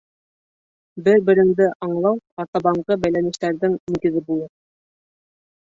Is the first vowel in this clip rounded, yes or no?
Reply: no